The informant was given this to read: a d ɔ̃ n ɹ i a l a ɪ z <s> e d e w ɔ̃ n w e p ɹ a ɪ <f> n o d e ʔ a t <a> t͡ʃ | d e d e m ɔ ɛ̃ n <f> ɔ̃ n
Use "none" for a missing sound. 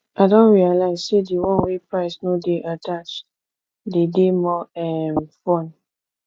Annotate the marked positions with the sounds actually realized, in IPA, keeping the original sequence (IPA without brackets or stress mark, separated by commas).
s, s, a, f